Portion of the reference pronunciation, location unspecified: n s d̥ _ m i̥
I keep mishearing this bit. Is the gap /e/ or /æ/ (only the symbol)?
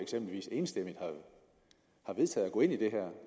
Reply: e